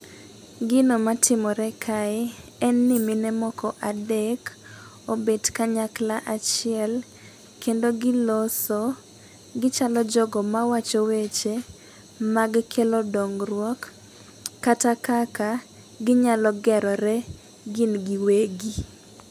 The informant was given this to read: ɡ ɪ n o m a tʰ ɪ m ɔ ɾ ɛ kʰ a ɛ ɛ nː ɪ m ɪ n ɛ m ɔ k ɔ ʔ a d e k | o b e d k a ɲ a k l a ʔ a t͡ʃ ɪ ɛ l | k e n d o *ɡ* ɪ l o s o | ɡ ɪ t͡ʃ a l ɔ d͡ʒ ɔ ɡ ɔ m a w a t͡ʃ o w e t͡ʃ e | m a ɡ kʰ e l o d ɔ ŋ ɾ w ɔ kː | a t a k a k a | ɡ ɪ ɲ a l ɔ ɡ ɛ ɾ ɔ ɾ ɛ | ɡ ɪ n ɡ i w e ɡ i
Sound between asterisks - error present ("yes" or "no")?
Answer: no